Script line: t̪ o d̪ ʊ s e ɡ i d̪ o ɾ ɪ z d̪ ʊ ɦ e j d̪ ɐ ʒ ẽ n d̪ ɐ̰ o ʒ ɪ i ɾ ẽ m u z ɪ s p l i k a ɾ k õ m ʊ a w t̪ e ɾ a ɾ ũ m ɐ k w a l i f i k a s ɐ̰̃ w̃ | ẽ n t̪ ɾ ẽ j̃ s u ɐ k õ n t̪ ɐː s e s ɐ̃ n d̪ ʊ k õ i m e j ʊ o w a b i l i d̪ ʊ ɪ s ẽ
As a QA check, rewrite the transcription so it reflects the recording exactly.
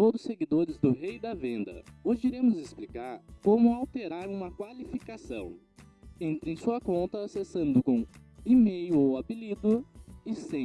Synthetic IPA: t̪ o d̪ ʊ s e ɡ i d̪ o ɾ ɪ z d̪ ʊ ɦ e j d̪ ɐ v ẽ n d̪ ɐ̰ o ʒ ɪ i ɾ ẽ m ʊ z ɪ s p l i k a ɾ k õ m ʊ a w t̪ e ɾ a ɾ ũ m ɐ k w a l i f i k a s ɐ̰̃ w̃ | ẽ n t̪ ɾ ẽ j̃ s u ɐ k õ n t̪ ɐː s e s ɐ̃ n d̪ ʊ k õ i m e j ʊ o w a b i l i d̪ ʊ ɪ s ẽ